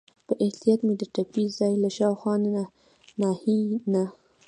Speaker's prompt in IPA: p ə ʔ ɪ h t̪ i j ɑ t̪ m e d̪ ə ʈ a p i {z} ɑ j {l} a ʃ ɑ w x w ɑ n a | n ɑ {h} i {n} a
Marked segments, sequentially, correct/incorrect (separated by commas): correct, correct, correct, correct